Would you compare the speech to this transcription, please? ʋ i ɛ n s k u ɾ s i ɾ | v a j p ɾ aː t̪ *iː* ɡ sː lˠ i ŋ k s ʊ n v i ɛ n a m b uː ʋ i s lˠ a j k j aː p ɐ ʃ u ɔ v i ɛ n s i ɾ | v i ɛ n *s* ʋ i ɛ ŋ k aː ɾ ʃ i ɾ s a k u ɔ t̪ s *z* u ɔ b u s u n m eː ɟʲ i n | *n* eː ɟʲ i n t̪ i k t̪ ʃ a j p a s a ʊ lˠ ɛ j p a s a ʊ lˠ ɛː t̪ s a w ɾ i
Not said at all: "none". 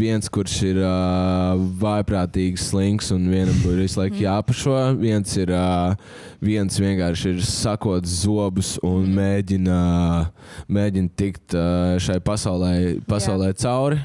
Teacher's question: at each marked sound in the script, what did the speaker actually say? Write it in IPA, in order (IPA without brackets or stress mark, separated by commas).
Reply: iː, s, z, m